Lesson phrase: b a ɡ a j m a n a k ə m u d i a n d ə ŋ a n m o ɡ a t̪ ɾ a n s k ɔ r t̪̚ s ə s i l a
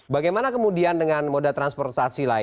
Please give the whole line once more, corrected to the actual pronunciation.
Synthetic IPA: b a ɡ a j m a n a k ə m u d i a n d ə ŋ a n m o d a t̪ ɾ a n s p ɔ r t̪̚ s a s i l a